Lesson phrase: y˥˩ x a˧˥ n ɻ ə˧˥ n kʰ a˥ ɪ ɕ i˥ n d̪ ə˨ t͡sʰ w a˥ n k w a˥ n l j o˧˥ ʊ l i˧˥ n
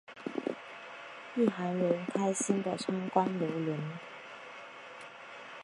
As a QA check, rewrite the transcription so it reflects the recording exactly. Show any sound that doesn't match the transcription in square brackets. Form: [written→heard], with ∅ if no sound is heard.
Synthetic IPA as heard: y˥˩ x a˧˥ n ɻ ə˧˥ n kʰ a˥ ɪ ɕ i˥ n d̪ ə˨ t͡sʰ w a˥ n k w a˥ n l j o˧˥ ʊ l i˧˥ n